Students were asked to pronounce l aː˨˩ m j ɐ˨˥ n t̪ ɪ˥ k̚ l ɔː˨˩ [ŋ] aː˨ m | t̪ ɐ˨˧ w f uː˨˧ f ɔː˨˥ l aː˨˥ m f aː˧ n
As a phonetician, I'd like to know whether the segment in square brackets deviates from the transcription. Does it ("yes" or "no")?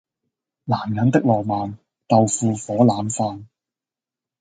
yes